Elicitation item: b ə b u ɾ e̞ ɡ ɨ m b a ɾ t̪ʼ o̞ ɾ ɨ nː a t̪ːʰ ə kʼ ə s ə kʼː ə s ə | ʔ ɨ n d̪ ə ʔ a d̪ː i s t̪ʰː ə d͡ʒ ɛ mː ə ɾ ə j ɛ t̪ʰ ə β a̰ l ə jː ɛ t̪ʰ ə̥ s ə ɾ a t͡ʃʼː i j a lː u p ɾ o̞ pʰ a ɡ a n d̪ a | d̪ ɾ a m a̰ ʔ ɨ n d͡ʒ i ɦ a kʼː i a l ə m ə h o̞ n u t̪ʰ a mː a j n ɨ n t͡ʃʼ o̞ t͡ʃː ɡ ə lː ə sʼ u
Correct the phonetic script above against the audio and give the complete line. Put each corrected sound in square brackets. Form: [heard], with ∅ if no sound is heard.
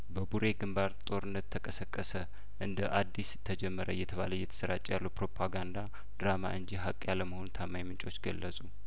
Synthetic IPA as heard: b ə b u ɾ e̞ ɡ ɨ m b a ɾ t̪ʼ o̞ ɾ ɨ nː [ə] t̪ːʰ ə kʼ ə s ə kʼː ə s ə | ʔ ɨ n d̪ ə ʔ a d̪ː i s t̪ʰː ə d͡ʒ ɛ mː ə ɾ ə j ɛ t̪ʰ ə β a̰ l ə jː ɛ t̪ʰ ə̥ s ə ɾ a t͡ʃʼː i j a lː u p ɾ o̞ pʰ a ɡ a n d̪ a | d̪ ɾ a m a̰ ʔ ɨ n d͡ʒ i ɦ a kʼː [j] a l ə m ə h o̞ n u t̪ʰ a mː a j [m] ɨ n t͡ʃʼ o̞ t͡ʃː ɡ ə lː ə sʼ u